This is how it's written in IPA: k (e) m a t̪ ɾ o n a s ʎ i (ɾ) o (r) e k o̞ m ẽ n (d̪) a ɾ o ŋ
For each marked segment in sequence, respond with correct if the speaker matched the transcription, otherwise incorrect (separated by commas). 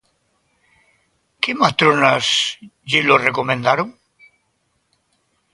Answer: correct, incorrect, correct, correct